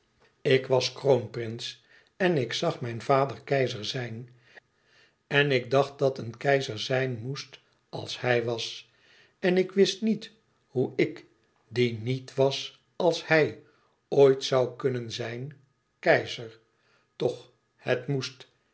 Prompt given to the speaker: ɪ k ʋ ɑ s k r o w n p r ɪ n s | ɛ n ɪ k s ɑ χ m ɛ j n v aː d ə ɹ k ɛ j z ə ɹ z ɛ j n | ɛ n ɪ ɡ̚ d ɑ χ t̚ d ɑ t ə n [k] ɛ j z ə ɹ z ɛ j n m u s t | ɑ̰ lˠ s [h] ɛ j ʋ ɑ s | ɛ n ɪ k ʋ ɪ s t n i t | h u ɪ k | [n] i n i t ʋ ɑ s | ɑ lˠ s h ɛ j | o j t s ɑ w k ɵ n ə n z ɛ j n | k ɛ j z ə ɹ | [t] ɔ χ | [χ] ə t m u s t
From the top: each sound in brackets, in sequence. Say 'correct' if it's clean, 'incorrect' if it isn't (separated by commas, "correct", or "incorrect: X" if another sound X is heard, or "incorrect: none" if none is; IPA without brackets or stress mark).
correct, correct, incorrect: d, correct, incorrect: h